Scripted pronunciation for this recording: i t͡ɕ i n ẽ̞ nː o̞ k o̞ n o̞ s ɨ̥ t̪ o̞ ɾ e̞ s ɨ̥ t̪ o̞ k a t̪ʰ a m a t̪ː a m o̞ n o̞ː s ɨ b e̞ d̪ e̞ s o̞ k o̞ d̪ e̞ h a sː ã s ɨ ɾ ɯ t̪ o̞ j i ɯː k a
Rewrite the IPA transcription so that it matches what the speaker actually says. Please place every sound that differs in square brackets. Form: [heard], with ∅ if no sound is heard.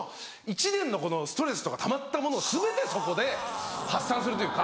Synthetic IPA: i t͡ɕ i n ẽ̞ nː o̞ k o̞ n o̞ s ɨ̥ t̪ o̞ ɾ e̞ s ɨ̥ t̪ o̞ k a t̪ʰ a m a t̪ː a m o̞ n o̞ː s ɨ b e̞ [t̪] e̞ s o̞ k o̞ d̪ e̞ h a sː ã s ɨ ɾ ɯ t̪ o̞ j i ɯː k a